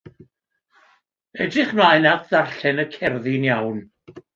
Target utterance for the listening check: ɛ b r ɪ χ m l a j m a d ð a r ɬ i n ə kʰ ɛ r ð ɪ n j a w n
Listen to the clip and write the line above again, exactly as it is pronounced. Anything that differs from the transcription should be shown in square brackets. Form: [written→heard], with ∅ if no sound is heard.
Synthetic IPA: ɛ [b→d] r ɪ χ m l a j [m→n] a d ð a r ɬ [i→ɛ] n ə kʰ ɛ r ð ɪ n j a w n